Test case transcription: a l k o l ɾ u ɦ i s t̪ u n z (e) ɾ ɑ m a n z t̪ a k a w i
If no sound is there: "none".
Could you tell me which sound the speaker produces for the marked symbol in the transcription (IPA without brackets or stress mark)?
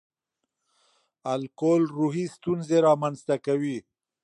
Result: e